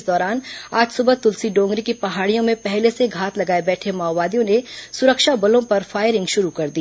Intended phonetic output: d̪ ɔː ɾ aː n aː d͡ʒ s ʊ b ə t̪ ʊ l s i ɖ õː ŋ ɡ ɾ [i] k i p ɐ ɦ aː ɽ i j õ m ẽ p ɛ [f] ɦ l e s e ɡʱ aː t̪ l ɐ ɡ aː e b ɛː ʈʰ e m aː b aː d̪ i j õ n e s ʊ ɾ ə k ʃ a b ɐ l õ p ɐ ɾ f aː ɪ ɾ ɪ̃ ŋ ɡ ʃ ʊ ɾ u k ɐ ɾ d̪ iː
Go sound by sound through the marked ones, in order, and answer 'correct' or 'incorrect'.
correct, incorrect: none

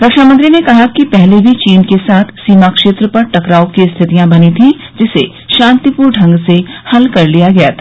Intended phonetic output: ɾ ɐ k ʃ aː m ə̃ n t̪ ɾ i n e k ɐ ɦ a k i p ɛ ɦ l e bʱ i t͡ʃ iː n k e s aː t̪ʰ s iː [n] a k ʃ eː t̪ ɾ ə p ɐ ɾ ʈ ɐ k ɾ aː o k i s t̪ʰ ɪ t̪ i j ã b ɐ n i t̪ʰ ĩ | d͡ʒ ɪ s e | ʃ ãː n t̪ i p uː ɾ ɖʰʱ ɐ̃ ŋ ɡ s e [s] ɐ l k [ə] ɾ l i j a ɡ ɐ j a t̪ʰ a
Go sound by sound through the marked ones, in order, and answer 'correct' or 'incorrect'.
incorrect: m, incorrect: h, incorrect: ɐ

